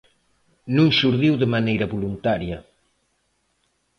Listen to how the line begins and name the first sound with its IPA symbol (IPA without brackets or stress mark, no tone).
n